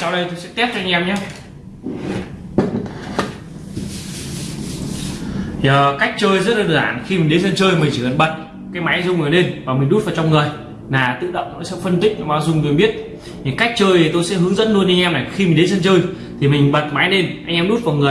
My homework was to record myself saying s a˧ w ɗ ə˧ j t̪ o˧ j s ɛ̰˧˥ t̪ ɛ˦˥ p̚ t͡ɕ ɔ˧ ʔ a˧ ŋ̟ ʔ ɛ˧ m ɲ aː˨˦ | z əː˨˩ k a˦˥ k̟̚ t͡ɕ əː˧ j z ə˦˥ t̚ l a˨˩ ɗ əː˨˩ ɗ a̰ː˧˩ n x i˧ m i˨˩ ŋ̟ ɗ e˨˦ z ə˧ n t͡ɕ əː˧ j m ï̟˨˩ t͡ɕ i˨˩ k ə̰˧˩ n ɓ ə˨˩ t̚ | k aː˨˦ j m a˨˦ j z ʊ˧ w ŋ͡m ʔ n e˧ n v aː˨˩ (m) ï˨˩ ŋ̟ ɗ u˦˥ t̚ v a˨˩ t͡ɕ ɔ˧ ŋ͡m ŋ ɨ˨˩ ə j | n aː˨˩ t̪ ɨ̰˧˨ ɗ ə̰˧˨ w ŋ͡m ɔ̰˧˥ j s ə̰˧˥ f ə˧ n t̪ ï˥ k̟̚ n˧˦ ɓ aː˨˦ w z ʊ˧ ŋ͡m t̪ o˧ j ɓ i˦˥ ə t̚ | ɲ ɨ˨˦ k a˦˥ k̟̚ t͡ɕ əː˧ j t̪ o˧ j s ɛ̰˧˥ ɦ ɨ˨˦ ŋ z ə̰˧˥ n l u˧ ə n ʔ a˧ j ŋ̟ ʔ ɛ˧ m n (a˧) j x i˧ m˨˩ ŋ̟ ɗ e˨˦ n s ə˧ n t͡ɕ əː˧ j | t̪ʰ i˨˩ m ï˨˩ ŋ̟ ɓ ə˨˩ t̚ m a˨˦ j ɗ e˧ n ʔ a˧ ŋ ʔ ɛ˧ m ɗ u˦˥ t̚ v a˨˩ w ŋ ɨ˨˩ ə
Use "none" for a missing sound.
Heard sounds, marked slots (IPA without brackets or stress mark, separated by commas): m, a˨˩